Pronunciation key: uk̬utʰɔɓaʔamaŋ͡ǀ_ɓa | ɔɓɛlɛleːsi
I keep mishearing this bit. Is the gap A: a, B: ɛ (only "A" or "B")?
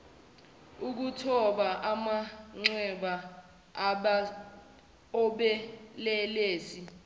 B